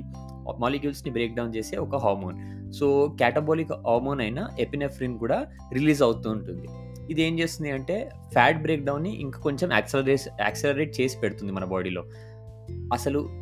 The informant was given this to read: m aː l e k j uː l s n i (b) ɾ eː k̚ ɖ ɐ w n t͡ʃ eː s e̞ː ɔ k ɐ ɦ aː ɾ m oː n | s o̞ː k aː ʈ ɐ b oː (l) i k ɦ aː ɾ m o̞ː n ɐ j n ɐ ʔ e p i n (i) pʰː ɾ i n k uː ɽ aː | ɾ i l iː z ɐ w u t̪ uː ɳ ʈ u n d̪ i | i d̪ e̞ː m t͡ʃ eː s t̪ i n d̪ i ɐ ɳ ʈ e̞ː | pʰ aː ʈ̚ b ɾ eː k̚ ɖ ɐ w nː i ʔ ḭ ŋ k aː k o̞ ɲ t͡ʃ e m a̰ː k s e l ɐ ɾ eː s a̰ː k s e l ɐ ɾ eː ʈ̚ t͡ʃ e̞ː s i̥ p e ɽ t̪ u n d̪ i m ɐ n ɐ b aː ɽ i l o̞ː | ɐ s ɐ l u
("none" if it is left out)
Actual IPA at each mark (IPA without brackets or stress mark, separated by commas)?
b, l, e